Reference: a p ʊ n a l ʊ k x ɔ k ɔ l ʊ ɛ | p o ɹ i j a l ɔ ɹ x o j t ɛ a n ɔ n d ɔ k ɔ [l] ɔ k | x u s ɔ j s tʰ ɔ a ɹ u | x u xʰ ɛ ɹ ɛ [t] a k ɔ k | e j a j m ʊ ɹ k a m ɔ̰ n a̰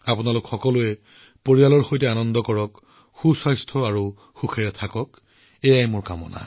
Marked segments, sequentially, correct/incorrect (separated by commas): incorrect, incorrect